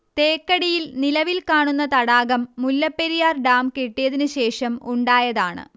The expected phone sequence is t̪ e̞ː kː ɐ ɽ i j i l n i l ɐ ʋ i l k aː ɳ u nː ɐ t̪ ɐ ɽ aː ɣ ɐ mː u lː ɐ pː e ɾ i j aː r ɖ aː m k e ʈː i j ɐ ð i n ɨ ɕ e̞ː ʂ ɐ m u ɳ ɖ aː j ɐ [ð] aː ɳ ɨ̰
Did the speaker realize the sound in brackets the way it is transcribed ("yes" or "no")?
yes